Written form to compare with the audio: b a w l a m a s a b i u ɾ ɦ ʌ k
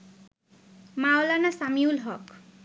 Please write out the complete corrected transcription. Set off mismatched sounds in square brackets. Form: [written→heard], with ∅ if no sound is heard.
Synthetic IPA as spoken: [b→m] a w l a [m→n] a s a [b→m] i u [ɾ→l] ɦ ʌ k